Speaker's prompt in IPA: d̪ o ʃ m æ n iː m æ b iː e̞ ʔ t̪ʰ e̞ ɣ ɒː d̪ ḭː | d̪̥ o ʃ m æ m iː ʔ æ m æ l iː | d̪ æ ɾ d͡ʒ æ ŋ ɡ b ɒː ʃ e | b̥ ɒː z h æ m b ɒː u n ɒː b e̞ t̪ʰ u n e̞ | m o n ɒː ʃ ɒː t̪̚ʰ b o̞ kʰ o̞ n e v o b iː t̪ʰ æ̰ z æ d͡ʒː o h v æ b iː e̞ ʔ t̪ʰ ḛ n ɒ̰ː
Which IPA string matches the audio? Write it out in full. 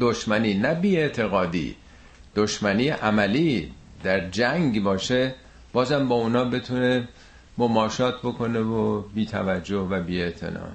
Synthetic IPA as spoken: d̪ o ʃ m æ n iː n æ b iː e̞ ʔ t̪ʰ e̞ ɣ ɒː d̪ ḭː | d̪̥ o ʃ m æ n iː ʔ æ m æ l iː | d̪ æ ɾ d͡ʒ æ ŋ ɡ b ɒː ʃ e | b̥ ɒː z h æ m b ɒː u n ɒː b e̞ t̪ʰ u n e̞ | m o m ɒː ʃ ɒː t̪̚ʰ b o̞ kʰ o̞ n e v o b iː t̪ʰ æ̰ v æ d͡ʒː o h v æ b iː e̞ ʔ t̪ʰ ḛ n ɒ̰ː